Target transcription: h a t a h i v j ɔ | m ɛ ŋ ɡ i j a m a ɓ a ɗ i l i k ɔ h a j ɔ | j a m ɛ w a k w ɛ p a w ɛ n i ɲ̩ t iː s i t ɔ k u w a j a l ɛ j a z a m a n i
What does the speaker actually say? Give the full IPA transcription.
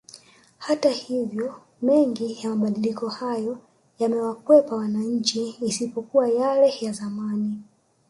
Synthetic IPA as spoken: h a t a h i v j ɔ | m ɛ ŋ ɡ i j a m a ɓ a ɗ i l i k ɔ h a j ɔ | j a m ɛ w a k w ɛ p a w a n a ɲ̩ t͡ʃ iː s i p ɔ k u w a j a l ɛ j a z a m a n i